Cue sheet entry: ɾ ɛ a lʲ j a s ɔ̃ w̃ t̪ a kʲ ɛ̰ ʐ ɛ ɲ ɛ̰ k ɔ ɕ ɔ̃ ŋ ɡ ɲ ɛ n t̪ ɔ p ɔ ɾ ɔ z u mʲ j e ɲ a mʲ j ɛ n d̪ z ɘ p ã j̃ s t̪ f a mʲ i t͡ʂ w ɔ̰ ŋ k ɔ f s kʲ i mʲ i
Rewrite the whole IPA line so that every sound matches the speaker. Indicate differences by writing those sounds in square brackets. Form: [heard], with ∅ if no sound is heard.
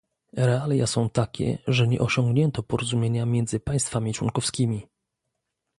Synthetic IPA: ɾ ɛ a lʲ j a s ɔ̃ w̃ t̪ a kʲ ɛ̰ ʐ ɛ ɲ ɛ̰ [ʔ] ɔ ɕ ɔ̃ ŋ ɡ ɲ ɛ n t̪ ɔ p ɔ ɾ ɔ z u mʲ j e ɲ a mʲ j ɛ n d̪ z ɘ p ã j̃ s t̪ f a mʲ i t͡ʂ w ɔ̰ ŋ k ɔ f s kʲ i mʲ i